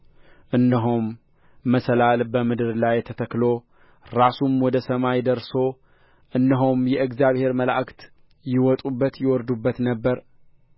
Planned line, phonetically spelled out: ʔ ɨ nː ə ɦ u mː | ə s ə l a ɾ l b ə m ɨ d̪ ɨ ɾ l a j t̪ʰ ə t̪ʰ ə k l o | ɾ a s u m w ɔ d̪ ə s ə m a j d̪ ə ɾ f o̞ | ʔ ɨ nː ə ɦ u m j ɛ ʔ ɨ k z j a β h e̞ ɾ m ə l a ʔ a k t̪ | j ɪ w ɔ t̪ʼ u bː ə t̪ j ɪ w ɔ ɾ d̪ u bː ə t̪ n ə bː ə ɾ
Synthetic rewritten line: ʔ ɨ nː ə ɦ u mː | ə s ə l a l b ə m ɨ d̪ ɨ ɾ l a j t̪ʰ ə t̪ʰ ə k l o | ɾ a s u m w ɔ d̪ ə s ə m a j d̪ ə ɾ s o̞ | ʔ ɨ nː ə ɦ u m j ɛ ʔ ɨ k z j a β h e̞ ɾ m ə l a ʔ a k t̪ | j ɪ w ɔ t̪ʼ u bː ə t̪ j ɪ w ɔ ɾ d̪ u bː ə t̪ n ə bː ə ɾ